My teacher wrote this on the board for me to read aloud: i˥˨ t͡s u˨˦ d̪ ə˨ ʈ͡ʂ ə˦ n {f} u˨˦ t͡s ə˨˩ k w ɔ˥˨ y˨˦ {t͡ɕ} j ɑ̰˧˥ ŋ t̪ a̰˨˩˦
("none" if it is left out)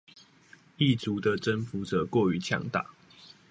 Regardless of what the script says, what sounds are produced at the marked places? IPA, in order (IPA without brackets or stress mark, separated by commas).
f, t͡ɕʰ